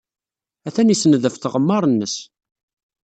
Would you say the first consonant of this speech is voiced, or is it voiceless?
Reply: voiceless